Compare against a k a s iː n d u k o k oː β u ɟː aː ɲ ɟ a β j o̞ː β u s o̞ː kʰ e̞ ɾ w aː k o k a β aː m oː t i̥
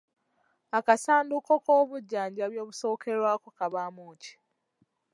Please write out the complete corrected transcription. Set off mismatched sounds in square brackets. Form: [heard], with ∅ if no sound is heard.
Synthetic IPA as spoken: a k a s [aː] n d u k o k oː β u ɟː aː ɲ ɟ a β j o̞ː β u s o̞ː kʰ e̞ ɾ w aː k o k a β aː m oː [c] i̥